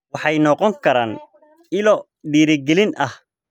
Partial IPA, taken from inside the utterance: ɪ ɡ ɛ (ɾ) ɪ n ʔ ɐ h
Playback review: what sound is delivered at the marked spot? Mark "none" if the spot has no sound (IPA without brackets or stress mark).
l